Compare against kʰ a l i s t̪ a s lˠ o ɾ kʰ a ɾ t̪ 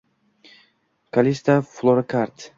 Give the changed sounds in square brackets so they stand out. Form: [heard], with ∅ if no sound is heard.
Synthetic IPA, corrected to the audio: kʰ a l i s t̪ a [f] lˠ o ɾ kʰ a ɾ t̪